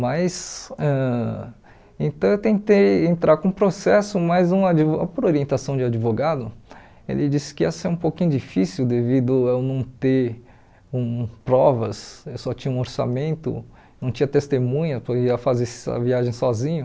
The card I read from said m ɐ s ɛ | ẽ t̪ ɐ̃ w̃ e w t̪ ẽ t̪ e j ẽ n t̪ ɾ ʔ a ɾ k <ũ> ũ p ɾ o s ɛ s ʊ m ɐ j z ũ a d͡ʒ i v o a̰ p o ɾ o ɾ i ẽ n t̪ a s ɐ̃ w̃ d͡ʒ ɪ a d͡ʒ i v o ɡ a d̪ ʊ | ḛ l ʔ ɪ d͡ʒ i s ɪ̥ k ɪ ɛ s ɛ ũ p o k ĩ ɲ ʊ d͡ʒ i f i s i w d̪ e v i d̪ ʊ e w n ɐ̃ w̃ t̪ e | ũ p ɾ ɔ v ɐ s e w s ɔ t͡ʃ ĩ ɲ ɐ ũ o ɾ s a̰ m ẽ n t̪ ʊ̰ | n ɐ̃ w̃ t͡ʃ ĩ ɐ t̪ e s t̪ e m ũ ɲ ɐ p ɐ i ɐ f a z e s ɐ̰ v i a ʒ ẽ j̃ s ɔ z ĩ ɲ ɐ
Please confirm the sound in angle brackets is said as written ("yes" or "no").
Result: no